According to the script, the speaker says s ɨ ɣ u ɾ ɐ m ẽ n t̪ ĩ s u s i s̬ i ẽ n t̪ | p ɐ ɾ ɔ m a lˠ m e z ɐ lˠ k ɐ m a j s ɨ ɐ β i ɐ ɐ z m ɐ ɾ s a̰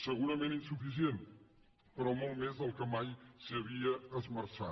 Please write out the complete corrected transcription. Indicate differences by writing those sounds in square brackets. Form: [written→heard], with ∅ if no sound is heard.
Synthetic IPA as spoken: s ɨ ɣ u ɾ ɐ m ẽ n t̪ ĩ s u [s→f] i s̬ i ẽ n t̪ | p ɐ ɾ ɔ m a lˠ m e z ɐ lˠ k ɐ m a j s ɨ ɐ β i ɐ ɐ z m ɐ ɾ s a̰